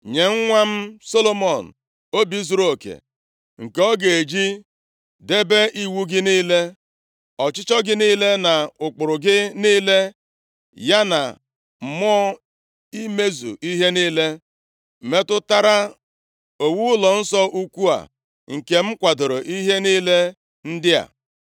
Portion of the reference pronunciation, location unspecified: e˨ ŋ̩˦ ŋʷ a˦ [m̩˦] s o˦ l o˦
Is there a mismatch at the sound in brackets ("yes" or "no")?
no